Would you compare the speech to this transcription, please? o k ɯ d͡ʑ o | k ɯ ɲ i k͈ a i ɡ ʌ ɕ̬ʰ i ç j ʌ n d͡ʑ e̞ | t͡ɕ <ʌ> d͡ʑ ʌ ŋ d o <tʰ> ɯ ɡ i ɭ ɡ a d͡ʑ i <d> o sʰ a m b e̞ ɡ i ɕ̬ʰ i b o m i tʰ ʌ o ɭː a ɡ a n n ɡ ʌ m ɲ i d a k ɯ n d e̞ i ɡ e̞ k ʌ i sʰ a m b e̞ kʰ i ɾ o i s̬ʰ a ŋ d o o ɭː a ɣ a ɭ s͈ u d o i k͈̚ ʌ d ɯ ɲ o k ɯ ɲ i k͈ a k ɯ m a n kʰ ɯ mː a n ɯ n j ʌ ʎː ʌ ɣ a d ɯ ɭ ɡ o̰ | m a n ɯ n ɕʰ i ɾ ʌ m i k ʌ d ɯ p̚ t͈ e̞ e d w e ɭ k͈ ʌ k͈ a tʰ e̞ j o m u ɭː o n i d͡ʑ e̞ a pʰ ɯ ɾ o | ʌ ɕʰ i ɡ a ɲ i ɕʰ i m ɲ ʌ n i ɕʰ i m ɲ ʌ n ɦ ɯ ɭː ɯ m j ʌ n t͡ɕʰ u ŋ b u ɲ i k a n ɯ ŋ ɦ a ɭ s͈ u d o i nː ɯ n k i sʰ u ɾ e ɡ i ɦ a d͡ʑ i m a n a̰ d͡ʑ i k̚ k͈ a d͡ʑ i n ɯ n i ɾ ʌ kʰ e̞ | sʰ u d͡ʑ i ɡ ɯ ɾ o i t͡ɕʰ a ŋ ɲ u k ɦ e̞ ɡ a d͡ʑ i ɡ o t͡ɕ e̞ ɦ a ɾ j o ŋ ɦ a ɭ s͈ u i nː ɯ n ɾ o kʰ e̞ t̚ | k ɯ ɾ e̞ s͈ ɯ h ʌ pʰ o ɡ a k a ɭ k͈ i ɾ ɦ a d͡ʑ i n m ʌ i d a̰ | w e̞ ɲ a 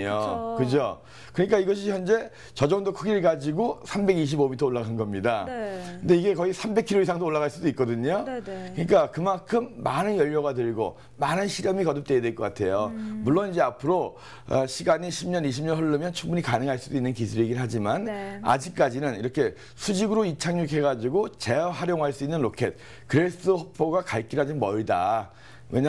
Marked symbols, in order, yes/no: yes, no, no

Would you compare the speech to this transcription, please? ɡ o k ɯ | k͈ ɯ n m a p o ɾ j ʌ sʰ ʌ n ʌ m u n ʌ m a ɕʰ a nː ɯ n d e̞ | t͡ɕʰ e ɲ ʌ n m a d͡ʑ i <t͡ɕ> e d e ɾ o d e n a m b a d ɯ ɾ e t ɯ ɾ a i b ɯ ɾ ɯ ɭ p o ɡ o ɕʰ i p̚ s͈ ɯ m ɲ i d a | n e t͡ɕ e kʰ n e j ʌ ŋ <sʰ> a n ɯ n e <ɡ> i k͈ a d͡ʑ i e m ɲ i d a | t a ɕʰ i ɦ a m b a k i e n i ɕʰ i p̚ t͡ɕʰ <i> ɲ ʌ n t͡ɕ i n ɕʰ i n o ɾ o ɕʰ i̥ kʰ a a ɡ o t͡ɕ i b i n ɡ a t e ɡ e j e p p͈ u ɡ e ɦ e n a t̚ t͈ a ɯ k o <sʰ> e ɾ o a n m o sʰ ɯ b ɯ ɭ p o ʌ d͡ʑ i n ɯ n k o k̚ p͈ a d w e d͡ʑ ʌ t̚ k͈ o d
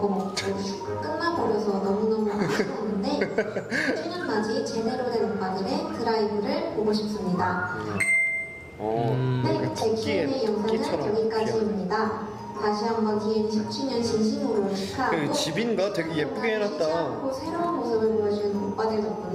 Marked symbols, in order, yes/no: yes, yes, yes, yes, yes

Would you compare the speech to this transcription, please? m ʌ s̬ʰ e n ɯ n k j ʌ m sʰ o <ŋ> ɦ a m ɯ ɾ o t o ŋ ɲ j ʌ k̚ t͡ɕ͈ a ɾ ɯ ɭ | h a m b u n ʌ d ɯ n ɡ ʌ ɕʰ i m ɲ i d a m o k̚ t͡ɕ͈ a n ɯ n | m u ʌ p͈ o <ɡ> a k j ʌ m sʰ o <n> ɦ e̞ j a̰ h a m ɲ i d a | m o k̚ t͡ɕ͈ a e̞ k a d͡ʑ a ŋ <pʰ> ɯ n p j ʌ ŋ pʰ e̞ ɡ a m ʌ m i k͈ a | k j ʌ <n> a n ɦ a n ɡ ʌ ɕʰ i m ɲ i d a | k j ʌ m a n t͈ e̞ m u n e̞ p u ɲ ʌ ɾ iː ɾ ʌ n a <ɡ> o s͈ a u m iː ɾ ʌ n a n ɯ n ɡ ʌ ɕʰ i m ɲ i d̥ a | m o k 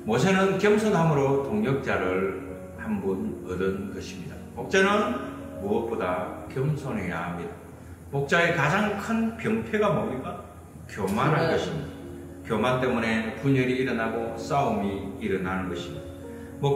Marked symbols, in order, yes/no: no, no, yes, no, no, yes

